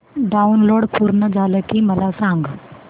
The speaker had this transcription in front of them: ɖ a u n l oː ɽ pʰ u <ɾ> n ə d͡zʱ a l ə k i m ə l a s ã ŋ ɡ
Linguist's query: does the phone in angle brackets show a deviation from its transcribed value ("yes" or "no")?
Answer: no